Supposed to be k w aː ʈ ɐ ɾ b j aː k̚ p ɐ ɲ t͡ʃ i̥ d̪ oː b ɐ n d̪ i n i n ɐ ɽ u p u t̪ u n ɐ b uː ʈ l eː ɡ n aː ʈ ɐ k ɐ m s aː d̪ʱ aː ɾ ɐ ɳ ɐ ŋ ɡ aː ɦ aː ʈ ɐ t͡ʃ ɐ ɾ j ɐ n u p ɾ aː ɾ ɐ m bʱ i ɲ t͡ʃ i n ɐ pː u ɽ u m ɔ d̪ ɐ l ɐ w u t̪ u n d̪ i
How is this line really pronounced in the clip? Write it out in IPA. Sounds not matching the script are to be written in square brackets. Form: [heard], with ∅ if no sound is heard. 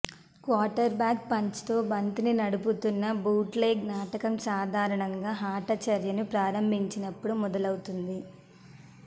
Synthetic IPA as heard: k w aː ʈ ɐ ɾ b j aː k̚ p ɐ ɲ t͡ʃ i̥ [t̪] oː b ɐ n [t̪] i n i n ɐ ɽ u p u t̪ u [nː] ɐ b uː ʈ l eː ɡ n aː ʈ ɐ k ɐ m s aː d̪ʱ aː ɾ ɐ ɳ ɐ ŋ ɡ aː ɦ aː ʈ ɐ t͡ʃ ɐ ɾ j ɐ n u p ɾ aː ɾ ɐ m bʱ i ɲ t͡ʃ i n ɐ pː u ɽ u m ɔ d̪ ɐ l ɐ w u t̪ u n d̪ i